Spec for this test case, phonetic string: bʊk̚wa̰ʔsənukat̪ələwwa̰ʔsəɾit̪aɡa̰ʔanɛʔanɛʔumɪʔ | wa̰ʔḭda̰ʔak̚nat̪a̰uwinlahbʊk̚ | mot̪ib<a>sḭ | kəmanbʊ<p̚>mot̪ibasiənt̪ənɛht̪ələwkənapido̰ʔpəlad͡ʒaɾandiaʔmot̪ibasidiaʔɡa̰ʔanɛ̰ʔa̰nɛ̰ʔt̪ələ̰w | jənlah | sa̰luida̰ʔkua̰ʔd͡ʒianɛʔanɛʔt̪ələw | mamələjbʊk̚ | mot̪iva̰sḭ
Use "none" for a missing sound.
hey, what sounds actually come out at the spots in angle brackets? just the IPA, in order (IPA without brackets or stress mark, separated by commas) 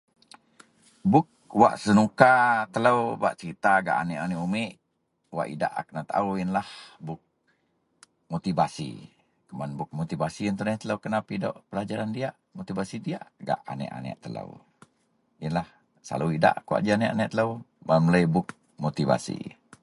a, k̚